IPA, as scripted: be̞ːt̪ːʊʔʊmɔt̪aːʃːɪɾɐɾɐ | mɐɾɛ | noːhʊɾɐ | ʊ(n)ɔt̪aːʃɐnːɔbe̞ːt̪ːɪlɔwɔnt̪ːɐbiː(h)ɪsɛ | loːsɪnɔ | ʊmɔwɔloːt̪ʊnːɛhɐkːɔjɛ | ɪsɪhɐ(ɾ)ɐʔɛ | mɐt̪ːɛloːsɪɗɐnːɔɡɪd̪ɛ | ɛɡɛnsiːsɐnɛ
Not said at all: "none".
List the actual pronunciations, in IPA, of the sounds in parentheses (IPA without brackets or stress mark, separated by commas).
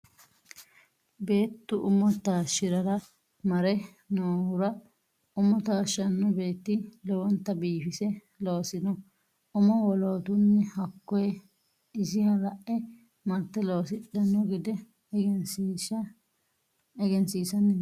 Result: m, f, l